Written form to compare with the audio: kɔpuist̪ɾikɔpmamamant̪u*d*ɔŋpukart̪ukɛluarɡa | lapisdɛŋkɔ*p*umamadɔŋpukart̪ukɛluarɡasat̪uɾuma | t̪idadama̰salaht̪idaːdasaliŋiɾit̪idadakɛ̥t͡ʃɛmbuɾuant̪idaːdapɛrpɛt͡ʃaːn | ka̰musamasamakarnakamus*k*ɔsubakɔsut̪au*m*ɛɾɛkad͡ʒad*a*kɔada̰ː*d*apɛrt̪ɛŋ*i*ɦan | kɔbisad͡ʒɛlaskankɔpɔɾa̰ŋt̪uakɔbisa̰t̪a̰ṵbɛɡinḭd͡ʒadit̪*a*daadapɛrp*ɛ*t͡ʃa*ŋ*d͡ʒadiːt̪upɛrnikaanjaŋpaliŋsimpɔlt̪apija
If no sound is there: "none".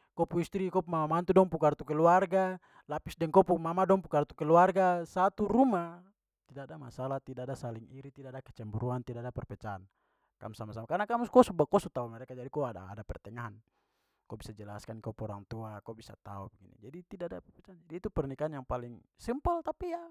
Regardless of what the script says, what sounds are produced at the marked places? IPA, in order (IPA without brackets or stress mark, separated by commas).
d, p, k, m, i, d, a, i, ɛ, n